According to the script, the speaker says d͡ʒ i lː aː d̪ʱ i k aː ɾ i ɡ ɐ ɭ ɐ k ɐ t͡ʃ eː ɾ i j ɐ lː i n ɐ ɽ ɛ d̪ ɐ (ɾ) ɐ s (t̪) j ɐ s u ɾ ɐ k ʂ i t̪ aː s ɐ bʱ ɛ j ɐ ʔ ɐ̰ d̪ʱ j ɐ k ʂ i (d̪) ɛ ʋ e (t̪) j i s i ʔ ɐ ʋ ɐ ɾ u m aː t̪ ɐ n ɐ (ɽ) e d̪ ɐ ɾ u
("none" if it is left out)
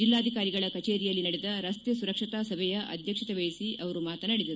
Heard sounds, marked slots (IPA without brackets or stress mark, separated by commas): ɾ, t̪, t̪, none, ɽ